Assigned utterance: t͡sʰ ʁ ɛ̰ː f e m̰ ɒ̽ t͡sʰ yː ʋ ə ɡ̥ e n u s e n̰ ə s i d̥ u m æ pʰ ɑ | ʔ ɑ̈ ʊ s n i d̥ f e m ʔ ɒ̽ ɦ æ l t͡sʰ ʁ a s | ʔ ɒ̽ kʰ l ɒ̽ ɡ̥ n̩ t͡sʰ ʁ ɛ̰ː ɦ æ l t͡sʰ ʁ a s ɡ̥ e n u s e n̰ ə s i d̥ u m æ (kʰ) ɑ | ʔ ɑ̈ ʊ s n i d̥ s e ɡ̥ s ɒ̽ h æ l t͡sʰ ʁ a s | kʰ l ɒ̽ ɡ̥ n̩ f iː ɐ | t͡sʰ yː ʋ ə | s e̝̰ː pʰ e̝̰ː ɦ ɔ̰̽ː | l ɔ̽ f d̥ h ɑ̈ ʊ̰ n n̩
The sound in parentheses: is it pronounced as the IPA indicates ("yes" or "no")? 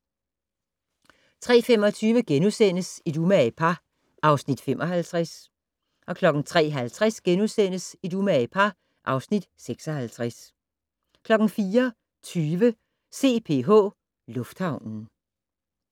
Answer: no